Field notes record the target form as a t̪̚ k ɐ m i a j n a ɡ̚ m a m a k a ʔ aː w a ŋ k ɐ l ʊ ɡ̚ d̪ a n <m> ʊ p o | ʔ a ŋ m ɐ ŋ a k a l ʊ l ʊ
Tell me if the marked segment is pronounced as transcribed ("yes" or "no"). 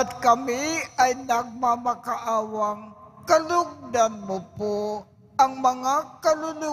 yes